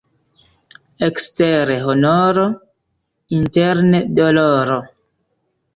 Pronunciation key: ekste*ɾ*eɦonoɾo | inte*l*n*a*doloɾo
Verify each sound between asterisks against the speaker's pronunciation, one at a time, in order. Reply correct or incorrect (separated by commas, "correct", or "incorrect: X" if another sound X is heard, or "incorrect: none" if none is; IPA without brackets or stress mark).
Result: correct, incorrect: ɾ, incorrect: e